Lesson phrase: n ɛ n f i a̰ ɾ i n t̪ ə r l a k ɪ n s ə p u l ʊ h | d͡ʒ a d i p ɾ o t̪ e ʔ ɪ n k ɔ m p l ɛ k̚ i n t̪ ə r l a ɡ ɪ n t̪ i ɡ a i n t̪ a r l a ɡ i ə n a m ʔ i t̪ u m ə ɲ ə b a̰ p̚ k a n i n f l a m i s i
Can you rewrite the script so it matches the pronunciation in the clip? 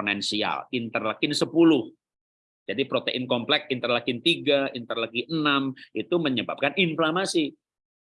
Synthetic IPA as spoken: n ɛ n s i a̰ l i n t̪ ə r l a k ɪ n s ə p u l ʊ h | d͡ʒ a d i p ɾ o t̪ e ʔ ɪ n k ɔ m p l ɛ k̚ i n t̪ ə r l a k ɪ n t̪ i ɡ a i n t̪ ə r l a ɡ i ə n a m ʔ i t̪ u m ə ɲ ə b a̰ p̚ k a n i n f l a m a s i